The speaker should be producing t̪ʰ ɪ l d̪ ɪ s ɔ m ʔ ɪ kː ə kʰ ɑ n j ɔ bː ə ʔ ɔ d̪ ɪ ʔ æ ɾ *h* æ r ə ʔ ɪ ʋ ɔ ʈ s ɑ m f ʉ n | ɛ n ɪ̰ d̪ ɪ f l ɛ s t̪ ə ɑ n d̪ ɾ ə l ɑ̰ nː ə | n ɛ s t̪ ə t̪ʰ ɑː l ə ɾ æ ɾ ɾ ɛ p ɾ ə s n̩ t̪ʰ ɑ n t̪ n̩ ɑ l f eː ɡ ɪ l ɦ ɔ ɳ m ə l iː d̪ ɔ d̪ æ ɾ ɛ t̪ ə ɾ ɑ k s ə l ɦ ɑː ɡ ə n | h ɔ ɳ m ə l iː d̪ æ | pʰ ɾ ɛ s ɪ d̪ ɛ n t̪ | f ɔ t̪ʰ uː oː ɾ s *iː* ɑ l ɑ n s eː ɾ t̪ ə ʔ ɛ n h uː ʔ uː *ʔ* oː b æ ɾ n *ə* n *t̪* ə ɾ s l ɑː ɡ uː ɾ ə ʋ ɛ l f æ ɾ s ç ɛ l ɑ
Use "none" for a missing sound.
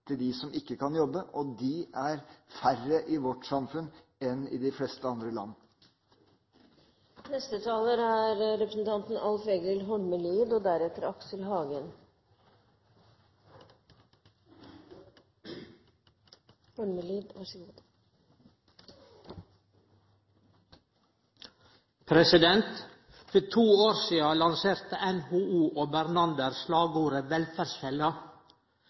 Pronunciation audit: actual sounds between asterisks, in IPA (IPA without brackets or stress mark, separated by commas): f, iː, ʔ, ɑ, d̪